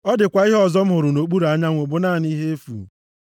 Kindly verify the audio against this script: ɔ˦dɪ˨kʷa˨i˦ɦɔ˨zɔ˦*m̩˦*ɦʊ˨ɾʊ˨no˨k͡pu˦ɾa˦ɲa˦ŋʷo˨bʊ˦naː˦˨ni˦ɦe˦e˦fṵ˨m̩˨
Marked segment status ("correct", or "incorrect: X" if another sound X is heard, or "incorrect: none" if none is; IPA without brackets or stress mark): correct